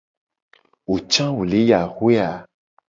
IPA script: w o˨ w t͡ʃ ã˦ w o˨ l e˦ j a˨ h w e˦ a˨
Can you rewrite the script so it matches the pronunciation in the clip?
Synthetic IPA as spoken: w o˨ t͡ʃ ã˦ w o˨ l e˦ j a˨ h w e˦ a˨